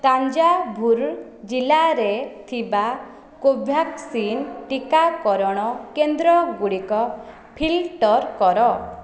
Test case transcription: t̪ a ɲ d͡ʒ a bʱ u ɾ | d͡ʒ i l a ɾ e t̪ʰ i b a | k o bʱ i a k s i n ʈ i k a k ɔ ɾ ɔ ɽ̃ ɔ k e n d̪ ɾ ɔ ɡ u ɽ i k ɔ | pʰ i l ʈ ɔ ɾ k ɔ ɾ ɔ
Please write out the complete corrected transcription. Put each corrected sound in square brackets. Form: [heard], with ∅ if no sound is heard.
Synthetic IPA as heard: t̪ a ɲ d͡ʒ a bʱ u ɾ | d͡ʒ i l a ɾ e t̪ʰ i b a | k o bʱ [j] a k s i n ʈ i k a k ɔ ɾ ɔ ɽ̃ ɔ k e n d̪ ɾ ɔ ɡ u ɽ i k ɔ | pʰ i l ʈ ɔ ɾ k ɔ ɾ ɔ